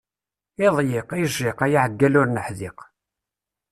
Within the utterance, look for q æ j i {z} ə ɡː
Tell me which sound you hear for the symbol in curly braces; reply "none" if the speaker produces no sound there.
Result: ʕ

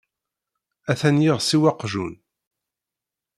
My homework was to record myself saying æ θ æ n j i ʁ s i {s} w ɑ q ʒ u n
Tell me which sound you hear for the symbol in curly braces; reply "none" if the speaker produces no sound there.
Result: none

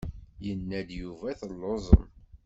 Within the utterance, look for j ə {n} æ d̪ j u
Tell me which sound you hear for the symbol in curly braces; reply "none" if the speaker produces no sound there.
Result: nː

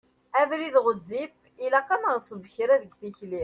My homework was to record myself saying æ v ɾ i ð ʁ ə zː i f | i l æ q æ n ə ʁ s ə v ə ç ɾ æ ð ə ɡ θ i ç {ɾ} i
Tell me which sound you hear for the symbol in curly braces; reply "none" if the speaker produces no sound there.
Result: l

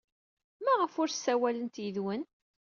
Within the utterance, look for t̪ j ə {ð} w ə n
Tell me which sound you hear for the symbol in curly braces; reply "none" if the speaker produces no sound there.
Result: ð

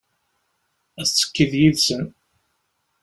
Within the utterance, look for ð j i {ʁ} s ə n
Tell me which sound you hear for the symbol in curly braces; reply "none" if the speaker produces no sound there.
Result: ð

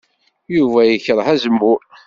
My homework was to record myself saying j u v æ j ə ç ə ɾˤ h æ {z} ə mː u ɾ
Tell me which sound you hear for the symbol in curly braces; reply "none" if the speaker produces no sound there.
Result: z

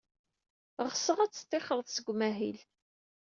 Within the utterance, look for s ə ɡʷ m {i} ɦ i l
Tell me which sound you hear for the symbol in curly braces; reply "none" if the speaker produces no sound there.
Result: æ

